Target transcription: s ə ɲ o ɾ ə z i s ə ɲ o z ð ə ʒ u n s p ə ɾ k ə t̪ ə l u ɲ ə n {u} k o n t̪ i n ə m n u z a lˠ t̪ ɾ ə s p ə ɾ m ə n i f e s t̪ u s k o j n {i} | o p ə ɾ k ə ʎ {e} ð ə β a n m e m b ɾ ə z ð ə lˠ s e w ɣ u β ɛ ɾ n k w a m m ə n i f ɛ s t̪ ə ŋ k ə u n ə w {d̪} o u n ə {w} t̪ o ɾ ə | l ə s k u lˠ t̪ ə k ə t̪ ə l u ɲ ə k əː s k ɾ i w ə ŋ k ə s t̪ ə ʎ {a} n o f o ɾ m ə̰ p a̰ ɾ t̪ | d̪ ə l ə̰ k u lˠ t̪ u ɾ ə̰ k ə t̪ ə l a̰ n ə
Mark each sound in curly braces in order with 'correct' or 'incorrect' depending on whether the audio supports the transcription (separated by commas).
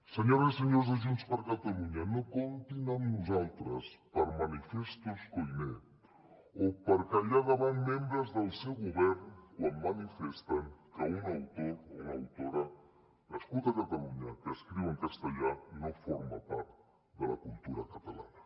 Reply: incorrect, incorrect, incorrect, incorrect, correct, correct